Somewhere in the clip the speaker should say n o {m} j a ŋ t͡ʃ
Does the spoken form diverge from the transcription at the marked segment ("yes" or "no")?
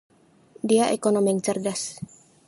no